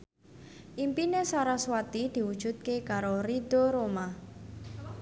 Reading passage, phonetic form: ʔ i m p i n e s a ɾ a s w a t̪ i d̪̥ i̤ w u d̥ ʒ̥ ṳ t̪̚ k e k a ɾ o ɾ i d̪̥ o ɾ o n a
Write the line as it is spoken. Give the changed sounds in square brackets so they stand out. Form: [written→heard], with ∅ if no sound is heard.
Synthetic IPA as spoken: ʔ i m p i n e s a ɾ a s w a t̪ i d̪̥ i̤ w u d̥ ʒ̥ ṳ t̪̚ k e k a ɾ o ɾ i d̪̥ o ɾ o [n→m] a